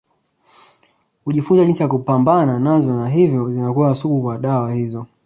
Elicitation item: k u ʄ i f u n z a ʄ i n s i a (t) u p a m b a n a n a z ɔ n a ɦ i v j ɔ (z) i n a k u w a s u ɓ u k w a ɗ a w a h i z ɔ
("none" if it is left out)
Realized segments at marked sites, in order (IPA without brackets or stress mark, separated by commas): k, z